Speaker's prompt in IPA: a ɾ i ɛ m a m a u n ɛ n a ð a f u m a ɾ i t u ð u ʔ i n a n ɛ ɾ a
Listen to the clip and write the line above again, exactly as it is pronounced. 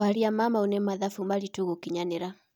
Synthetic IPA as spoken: a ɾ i a m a m a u n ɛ m a ð a f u m a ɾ i t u ɣ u k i ɲ a n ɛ ɾ a